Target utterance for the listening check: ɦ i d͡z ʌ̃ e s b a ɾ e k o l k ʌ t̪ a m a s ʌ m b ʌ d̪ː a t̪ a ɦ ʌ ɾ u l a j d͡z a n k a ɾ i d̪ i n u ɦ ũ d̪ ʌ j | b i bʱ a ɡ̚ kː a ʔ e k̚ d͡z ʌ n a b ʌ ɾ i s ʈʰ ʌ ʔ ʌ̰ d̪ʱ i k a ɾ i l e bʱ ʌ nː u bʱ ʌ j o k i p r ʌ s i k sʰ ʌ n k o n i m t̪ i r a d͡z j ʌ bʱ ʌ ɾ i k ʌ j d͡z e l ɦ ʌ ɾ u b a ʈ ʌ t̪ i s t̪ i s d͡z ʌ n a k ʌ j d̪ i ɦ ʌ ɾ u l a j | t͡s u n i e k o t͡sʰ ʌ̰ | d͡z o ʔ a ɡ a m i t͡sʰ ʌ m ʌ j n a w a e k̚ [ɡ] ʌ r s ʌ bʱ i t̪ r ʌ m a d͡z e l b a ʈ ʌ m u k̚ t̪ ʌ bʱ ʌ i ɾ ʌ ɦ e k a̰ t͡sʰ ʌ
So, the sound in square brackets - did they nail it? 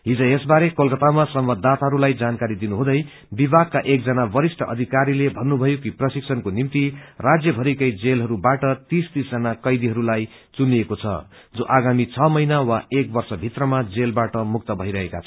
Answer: no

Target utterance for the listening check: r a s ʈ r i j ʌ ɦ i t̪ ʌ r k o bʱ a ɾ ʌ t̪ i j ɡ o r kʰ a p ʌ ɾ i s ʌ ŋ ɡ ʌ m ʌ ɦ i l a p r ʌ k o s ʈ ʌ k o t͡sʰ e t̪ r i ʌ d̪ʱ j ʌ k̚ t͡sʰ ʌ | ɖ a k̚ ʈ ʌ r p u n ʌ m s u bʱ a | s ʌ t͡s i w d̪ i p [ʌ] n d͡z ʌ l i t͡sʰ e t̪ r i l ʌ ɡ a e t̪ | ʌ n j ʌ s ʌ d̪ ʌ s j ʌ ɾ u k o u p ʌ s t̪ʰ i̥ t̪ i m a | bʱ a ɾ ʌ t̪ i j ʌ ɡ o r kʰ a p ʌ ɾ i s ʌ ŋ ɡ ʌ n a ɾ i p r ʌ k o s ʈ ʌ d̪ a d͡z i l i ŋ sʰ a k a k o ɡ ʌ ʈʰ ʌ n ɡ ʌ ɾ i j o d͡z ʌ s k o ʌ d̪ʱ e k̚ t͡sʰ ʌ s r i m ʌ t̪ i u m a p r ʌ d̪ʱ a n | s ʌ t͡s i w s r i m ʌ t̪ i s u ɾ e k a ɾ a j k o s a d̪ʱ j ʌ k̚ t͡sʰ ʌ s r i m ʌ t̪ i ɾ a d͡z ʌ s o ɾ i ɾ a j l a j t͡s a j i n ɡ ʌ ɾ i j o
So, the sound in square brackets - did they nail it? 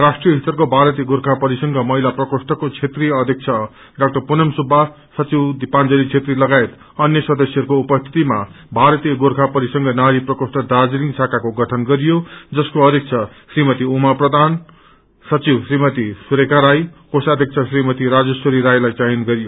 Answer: no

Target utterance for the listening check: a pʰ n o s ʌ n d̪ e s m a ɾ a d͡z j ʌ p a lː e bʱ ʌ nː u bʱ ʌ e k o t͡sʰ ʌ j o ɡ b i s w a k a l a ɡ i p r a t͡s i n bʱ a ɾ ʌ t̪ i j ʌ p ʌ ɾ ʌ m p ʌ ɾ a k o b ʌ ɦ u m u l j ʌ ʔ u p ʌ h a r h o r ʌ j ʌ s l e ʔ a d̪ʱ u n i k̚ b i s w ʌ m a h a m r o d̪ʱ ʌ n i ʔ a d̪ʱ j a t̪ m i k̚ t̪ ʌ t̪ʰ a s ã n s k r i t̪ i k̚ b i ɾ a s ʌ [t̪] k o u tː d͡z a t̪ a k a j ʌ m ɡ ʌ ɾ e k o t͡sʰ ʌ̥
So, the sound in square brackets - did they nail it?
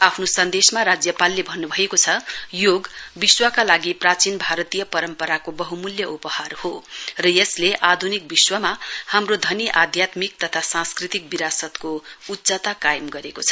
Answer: yes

